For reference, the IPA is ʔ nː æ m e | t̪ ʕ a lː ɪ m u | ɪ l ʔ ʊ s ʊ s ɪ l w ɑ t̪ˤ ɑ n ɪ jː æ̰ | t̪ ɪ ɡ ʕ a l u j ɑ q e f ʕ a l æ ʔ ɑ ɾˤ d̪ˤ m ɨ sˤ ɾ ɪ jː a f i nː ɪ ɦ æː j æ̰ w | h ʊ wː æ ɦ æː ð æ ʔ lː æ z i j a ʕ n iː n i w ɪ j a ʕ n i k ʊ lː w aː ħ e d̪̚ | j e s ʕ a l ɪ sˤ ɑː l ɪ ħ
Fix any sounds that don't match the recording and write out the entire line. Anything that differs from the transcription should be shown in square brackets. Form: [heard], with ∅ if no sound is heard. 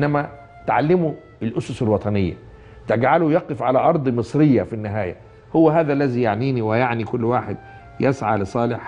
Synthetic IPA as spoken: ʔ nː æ m [æ] | t̪ ʕ a lː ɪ m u | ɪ l ʔ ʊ s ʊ s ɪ l w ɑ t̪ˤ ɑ n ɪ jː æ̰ | t̪ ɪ ɡ ʕ a l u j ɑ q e f ʕ a l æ ʔ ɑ ɾˤ d̪ˤ m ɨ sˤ ɾ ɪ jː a f i nː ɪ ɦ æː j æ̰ [∅] | h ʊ wː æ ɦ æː ð æ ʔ lː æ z i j a ʕ n iː n i w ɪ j a ʕ n i k ʊ lː w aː ħ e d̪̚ | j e s ʕ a l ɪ sˤ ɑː l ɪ ħ